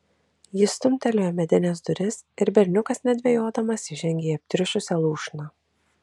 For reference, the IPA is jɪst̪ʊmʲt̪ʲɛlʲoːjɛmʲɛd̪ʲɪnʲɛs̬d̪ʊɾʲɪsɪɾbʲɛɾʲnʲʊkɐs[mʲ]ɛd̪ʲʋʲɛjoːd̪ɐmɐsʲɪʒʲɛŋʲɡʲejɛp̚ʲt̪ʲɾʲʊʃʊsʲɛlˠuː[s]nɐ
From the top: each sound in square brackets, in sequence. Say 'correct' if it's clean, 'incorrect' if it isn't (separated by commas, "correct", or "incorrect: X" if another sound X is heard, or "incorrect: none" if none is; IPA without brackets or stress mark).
incorrect: nʲ, incorrect: ʃ